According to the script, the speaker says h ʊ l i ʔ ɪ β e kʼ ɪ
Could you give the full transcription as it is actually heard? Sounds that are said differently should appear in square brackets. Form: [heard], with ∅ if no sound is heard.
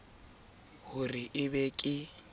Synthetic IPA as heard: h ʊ [r] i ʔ ɪ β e kʼ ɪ